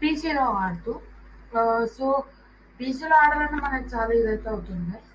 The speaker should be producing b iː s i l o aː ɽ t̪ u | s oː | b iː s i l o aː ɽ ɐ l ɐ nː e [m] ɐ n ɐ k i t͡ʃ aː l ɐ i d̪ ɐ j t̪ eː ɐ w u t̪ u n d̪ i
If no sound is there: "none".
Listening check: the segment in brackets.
m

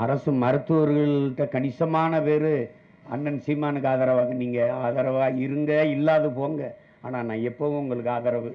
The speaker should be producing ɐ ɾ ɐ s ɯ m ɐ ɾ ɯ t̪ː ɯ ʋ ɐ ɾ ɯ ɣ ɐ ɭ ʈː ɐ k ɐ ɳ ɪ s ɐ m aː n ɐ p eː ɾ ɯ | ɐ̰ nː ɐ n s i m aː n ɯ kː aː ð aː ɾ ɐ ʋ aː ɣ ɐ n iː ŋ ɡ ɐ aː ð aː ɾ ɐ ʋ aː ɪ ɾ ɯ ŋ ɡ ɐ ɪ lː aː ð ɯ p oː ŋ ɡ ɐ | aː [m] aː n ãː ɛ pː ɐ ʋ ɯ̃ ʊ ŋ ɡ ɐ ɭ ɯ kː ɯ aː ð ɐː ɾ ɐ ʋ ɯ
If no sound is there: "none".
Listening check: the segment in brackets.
n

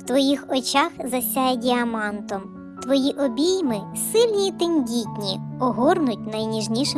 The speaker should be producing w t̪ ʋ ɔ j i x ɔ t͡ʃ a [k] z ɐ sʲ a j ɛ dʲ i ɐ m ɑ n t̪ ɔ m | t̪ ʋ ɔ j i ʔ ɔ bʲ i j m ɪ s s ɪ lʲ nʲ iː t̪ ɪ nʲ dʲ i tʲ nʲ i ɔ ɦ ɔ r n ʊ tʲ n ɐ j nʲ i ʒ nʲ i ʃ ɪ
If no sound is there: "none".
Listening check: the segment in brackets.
x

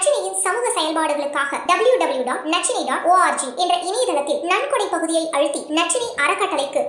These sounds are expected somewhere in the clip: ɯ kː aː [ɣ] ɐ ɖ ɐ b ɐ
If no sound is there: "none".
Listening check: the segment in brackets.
ɣ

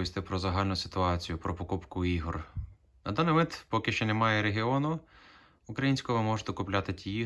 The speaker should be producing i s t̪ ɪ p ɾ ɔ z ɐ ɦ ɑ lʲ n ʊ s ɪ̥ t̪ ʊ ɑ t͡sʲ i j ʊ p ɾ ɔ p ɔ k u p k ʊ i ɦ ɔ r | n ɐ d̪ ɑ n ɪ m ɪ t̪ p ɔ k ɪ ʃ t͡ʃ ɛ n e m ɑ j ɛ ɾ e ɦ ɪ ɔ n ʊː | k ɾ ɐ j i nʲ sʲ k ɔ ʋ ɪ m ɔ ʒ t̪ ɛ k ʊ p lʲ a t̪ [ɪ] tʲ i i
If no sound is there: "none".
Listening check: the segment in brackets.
ɪ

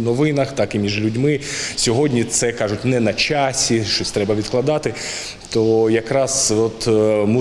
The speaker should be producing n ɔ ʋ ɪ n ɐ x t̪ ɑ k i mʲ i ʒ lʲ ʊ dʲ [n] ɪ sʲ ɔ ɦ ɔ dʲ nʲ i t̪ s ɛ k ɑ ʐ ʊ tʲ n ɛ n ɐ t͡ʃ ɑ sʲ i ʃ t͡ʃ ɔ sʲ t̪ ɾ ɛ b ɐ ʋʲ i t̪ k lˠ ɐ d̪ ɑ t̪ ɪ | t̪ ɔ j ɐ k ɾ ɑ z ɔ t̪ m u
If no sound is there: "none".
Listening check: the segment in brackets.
m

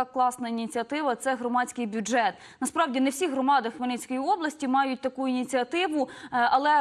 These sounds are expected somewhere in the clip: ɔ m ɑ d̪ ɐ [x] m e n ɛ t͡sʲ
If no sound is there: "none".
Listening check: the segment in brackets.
x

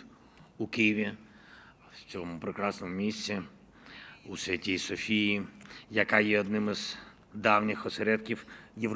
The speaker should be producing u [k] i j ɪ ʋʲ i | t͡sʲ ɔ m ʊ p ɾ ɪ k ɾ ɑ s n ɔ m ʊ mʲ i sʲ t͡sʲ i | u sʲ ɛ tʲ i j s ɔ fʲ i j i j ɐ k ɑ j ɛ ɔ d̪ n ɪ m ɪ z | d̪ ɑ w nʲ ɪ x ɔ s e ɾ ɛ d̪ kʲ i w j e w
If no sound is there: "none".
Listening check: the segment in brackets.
k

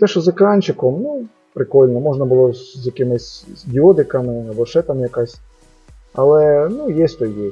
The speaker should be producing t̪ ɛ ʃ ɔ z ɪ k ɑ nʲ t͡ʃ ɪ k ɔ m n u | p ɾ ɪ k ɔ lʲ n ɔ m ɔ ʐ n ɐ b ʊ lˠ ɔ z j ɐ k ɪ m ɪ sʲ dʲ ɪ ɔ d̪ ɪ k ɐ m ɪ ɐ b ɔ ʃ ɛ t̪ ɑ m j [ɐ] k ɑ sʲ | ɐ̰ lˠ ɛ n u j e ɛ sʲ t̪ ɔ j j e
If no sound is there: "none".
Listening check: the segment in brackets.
ɐ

